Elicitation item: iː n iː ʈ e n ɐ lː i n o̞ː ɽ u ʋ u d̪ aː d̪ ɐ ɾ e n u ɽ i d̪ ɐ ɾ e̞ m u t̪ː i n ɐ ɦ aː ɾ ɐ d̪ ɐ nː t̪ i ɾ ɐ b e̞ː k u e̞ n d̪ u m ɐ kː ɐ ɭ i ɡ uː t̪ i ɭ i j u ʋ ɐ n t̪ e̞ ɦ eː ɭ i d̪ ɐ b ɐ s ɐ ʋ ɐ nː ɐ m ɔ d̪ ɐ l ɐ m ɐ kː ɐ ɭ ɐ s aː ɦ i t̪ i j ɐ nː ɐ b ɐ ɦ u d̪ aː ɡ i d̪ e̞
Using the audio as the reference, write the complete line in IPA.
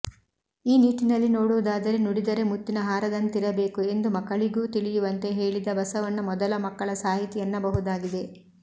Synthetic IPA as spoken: iː n iː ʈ i n ɐ lː i n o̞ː ɽ u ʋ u d̪ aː d̪ ɐ ɾ e n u ɽ i d̪ ɐ ɾ e̞ m u t̪ː i n ɐ ɦ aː ɾ ɐ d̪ ɐ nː t̪ i ɾ ɐ b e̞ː k u e̞ n d̪ u m ɐ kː ɐ ɭ i ɡ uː t̪ i ɭ i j u ʋ ɐ n t̪ e̞ ɦ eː ɭ i d̪ ɐ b ɐ s ɐ ʋ ɐ nː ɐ m ɔ d̪ ɐ l ɐ m ɐ kː ɐ ɭ ɐ s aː ɦ i t̪ i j ɐ nː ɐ b ɐ ɦ u d̪ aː ɡ i d̪ e̞